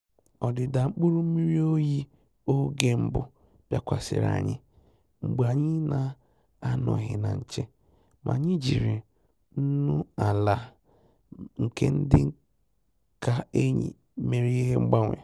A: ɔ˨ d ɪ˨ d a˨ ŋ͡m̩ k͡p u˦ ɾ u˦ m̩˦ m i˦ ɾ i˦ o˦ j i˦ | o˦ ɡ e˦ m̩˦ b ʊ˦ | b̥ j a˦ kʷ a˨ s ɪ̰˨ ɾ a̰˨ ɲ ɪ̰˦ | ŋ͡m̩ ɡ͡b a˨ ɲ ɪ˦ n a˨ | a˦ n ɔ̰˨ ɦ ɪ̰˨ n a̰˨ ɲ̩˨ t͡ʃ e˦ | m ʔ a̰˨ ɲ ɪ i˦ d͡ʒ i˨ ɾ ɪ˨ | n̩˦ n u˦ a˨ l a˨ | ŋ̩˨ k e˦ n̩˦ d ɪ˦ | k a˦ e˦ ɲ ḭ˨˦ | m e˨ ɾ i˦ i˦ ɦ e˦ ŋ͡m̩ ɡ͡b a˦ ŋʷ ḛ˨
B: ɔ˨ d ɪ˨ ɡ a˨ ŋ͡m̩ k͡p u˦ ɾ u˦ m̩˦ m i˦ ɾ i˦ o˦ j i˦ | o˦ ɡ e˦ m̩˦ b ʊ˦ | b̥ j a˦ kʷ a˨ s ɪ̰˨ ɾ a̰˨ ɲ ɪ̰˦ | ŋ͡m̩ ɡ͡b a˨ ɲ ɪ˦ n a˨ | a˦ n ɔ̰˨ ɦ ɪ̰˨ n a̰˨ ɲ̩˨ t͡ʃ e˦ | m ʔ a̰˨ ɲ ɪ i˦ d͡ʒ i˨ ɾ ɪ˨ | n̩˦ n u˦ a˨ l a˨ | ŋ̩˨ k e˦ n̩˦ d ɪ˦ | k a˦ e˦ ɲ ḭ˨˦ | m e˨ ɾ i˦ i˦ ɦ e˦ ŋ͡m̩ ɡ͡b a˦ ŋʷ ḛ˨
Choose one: A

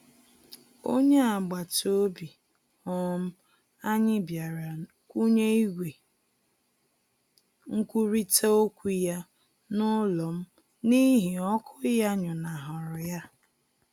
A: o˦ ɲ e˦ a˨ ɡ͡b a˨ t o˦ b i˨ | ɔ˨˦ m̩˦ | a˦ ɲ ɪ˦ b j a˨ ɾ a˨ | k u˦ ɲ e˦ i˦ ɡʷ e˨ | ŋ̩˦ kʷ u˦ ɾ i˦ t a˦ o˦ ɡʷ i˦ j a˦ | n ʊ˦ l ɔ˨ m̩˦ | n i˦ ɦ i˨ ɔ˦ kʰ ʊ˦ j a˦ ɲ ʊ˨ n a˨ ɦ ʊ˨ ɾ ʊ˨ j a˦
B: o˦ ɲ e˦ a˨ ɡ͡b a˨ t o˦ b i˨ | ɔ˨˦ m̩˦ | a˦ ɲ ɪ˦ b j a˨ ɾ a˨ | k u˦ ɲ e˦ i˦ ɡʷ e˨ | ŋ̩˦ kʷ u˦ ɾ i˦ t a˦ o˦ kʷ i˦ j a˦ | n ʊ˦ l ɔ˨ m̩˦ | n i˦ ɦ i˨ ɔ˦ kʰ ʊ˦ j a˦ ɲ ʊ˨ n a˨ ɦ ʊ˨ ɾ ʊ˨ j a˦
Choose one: B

